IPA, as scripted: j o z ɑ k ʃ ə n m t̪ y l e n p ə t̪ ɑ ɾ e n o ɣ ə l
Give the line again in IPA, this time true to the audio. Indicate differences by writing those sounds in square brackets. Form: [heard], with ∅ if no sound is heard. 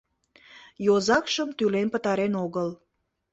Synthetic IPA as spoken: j o z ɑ k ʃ ə [∅] m t̪ y l e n p ə t̪ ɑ ɾ e n o ɣ ə l